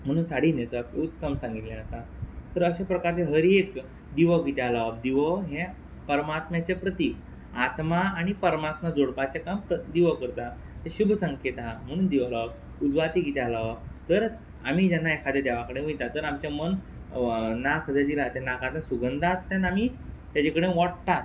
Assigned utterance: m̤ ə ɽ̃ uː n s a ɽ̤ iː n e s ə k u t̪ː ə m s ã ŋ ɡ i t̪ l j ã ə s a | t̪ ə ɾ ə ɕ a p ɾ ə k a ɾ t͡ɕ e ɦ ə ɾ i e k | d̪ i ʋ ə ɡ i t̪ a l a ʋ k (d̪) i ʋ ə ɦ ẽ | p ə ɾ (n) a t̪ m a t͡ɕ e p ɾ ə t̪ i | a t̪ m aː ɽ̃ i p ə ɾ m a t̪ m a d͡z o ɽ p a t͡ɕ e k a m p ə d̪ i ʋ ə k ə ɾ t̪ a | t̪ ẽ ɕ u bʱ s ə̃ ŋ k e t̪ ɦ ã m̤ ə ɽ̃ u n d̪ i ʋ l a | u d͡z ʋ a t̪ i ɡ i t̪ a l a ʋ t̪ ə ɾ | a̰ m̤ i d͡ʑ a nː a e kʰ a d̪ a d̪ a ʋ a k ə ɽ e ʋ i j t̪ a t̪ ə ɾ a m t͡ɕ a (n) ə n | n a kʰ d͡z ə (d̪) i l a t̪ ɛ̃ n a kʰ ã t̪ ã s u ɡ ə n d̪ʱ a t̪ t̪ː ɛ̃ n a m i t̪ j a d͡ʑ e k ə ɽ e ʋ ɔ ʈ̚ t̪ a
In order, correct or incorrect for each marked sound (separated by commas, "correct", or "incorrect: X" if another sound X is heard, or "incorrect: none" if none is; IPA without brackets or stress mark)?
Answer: correct, incorrect: m, incorrect: m, correct